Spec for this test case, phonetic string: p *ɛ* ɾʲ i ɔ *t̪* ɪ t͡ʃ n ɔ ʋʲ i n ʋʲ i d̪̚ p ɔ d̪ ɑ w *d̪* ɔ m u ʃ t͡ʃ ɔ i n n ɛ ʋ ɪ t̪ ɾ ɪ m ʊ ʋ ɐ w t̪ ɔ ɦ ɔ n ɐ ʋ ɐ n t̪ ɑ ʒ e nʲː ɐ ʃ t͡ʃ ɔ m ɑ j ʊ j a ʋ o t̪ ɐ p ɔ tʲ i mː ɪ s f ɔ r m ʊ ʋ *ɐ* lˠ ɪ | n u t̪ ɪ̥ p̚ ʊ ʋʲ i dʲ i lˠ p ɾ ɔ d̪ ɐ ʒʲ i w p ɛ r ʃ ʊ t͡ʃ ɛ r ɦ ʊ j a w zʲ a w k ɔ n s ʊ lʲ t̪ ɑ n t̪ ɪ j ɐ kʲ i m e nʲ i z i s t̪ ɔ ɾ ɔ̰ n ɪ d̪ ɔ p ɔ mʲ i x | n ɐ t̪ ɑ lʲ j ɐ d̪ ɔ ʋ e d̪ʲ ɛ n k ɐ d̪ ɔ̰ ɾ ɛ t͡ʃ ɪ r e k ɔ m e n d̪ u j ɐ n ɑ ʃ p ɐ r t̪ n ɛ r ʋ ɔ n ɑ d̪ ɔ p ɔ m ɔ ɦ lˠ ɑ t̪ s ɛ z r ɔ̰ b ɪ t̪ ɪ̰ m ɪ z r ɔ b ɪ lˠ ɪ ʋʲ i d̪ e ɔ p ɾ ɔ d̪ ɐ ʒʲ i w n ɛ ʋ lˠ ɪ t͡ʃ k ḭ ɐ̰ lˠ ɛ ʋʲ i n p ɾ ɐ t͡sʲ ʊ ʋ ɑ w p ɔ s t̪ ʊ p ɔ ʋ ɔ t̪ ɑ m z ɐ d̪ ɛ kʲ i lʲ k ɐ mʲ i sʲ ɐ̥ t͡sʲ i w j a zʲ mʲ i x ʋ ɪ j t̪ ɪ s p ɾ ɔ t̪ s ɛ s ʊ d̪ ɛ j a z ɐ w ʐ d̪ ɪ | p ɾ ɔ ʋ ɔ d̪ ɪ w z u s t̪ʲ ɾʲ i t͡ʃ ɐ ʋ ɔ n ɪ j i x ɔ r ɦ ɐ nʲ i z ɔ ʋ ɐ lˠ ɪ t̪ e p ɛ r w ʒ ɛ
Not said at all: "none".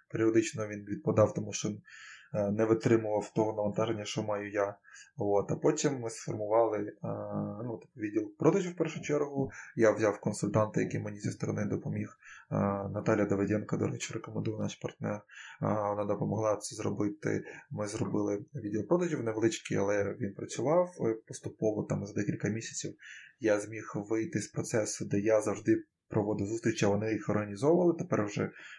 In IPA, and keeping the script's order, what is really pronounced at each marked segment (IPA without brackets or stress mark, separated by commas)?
e, d̪, t̪, ɑ